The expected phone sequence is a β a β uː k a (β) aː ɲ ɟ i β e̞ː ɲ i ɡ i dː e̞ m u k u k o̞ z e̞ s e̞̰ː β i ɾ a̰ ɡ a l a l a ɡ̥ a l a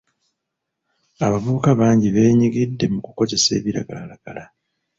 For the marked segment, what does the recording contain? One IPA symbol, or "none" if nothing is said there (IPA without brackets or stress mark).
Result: β